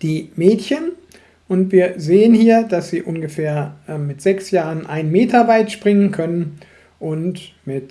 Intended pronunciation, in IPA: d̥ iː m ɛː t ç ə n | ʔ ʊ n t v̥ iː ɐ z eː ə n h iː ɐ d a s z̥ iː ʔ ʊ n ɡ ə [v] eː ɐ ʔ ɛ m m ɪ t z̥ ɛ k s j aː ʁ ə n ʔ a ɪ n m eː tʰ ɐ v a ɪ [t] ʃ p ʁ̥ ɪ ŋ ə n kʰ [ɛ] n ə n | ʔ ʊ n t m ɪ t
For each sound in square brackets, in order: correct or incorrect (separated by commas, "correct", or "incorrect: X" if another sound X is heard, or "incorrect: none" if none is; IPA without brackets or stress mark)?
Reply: incorrect: f, correct, incorrect: œ